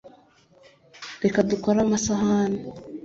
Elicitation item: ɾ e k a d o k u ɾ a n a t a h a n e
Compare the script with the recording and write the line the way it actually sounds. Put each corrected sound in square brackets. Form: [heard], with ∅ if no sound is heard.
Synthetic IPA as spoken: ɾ e k a d [u] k [o] ɾ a [m] a [s] a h a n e